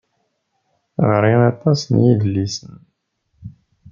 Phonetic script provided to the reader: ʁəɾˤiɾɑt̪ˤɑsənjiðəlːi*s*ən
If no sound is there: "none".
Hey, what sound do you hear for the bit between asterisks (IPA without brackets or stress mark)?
s